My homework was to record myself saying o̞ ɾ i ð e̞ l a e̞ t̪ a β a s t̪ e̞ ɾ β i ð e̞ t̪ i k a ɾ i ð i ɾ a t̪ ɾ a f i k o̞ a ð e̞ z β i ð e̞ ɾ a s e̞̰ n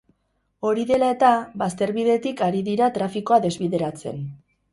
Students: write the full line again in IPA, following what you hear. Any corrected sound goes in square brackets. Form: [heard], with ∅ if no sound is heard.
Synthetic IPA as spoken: o̞ ɾ i ð e̞ l a e̞ t̪ a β a s t̪ e̞ ɾ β i ð e̞ t̪ i k a ɾ i ð i ɾ a t̪ ɾ a f i k o̞ a ð e̞ z β i ð e̞ ɾ a [t͡s] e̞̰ n